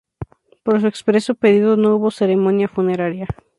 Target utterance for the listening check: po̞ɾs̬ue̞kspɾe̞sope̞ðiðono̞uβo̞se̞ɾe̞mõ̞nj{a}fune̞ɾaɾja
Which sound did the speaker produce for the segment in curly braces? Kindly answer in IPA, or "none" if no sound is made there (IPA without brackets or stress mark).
a